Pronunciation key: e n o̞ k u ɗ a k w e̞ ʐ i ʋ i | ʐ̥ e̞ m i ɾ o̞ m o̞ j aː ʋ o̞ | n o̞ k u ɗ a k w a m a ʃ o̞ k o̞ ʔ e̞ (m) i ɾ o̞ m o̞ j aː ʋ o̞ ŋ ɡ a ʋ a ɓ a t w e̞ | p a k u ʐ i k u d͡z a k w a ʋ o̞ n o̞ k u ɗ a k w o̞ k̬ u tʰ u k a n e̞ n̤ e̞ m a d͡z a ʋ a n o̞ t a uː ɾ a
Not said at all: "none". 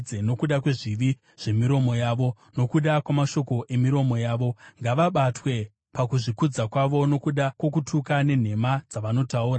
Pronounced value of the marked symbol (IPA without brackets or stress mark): m